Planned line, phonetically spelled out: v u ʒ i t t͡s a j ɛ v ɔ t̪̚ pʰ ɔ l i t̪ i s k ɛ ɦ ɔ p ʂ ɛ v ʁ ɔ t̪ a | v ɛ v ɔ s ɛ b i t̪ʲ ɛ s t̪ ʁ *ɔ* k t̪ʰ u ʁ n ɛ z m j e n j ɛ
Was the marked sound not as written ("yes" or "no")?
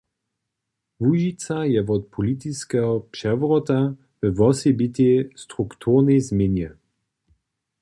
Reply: yes